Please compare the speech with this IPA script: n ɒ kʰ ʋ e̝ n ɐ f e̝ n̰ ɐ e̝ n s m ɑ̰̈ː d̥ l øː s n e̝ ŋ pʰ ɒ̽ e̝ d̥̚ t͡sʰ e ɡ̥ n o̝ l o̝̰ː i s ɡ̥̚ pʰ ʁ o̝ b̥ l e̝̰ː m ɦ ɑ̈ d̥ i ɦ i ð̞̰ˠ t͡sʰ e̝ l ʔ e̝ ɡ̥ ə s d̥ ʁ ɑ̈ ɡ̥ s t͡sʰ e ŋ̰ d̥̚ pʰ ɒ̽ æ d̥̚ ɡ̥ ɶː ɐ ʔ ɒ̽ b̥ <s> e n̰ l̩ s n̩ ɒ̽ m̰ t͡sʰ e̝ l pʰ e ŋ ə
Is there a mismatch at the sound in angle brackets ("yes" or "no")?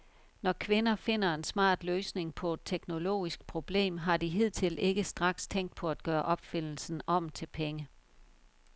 yes